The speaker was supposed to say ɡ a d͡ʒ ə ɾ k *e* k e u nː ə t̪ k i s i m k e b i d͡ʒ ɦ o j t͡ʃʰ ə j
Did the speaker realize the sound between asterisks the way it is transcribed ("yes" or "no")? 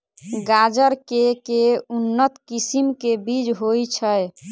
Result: yes